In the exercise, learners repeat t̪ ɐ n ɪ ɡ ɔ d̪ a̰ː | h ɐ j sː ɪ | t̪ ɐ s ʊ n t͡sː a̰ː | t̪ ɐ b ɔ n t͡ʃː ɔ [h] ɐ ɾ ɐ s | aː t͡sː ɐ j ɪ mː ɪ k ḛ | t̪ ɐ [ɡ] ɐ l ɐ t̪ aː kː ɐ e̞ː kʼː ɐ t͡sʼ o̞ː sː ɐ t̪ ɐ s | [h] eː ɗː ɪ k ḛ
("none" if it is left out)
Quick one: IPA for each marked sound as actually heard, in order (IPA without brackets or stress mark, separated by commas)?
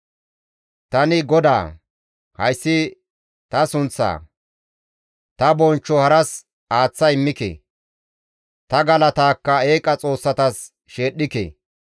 h, ɡ, ʃ